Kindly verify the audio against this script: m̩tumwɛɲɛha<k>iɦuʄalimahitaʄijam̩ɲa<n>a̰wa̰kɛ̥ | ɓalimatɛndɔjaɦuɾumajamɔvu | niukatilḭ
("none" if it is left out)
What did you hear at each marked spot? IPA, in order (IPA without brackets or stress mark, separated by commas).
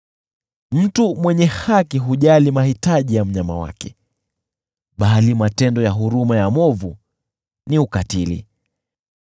k, m